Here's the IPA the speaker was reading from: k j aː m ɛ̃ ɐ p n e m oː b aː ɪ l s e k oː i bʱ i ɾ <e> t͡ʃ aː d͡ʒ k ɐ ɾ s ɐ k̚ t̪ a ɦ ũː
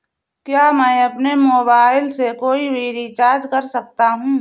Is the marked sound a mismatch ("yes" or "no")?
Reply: yes